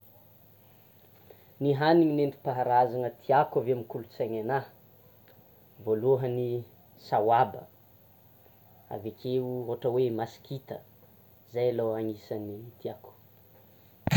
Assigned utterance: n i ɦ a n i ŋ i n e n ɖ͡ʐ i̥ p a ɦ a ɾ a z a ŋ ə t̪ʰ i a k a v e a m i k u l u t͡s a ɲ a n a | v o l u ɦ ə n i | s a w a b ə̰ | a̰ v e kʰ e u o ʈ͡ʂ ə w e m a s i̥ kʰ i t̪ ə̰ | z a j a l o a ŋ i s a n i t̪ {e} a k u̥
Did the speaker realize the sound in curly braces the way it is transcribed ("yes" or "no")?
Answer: no